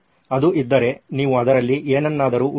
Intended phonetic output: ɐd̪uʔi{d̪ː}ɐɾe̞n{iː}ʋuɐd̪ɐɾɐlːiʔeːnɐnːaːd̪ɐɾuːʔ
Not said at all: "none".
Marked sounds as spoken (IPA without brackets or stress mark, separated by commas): d̪ː, iː